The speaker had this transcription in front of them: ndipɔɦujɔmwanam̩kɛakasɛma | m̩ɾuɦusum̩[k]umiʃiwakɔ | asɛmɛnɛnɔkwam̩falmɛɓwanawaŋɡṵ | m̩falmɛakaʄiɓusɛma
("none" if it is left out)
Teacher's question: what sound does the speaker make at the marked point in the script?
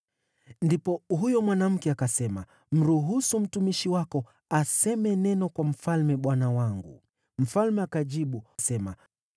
t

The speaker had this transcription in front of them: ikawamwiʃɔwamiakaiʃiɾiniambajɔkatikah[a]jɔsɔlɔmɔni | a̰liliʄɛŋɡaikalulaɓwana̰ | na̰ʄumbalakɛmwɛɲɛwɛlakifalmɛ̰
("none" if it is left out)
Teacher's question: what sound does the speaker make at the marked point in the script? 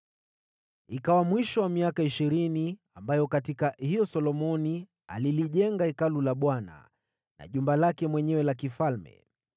i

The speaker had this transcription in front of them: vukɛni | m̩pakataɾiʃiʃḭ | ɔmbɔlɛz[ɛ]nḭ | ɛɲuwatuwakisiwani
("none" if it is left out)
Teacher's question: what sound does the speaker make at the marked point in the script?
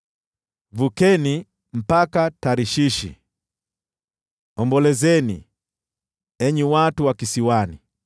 ɛ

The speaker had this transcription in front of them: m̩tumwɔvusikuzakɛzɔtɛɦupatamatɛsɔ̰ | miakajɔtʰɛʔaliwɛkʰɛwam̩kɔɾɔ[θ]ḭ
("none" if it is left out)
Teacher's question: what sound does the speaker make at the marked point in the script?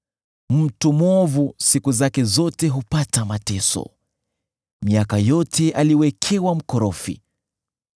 f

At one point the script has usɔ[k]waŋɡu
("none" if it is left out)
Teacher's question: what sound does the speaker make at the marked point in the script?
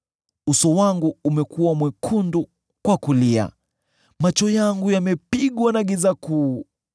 none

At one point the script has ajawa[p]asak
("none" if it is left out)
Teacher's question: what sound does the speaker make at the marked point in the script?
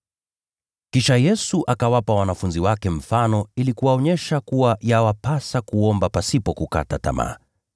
p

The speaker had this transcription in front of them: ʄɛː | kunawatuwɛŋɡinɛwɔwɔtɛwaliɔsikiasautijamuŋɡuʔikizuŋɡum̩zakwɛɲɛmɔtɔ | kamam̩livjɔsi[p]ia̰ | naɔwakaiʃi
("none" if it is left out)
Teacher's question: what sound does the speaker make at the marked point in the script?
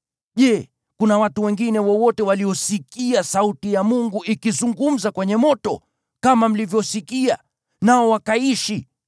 k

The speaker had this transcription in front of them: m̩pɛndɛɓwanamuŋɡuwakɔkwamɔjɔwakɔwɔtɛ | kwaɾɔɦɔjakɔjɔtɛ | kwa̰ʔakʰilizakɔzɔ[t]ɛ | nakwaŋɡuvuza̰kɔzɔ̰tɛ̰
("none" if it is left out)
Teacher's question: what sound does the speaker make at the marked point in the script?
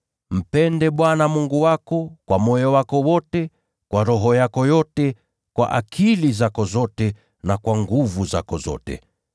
t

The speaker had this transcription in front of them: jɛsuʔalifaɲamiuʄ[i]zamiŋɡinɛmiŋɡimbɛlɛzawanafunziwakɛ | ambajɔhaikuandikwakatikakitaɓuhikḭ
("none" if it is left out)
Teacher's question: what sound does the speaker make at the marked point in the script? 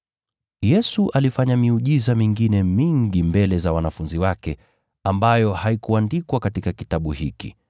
i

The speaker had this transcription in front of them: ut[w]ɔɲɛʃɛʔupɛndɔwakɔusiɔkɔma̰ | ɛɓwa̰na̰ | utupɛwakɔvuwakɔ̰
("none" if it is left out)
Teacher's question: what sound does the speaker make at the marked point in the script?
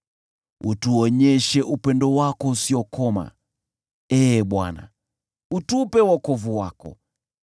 u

